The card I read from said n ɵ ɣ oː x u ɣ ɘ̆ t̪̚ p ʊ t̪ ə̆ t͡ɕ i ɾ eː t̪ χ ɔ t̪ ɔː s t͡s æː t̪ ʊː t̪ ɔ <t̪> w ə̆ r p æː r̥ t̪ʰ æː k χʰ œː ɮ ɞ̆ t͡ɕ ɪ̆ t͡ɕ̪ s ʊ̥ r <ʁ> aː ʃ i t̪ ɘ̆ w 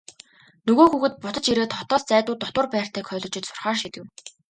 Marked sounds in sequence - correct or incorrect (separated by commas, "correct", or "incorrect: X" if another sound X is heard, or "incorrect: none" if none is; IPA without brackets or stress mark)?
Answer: correct, incorrect: χ